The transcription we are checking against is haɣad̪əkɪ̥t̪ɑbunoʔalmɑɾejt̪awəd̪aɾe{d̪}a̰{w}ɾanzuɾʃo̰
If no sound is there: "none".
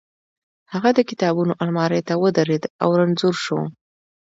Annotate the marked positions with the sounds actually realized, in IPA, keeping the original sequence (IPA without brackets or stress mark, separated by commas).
d̪, w